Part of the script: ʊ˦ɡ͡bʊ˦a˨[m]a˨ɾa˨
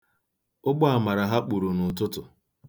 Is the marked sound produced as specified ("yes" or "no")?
yes